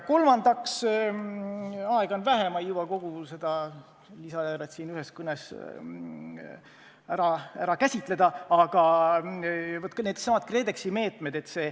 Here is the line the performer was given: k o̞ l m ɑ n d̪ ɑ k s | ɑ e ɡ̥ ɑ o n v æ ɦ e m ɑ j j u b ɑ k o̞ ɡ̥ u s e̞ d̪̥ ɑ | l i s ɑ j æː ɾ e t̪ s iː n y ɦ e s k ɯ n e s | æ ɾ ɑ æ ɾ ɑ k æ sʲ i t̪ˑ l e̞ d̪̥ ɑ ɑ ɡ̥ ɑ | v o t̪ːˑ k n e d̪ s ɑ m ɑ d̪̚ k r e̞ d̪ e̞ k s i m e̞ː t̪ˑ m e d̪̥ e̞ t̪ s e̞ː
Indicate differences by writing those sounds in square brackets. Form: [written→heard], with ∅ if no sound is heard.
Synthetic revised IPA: k o̞ l m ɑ n d̪ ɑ k s | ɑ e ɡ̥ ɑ o n v æ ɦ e m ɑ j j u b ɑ k o̞ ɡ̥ u s e̞ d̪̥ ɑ | l i s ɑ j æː ɾ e t̪ s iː n y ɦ e s k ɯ n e s | æ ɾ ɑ æ ɾ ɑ k æ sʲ i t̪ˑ l e̞ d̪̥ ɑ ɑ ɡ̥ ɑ | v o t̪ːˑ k n e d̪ s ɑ m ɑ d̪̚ k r e̞ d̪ e̞ k s i m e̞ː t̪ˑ m e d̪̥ e̞ t̪ s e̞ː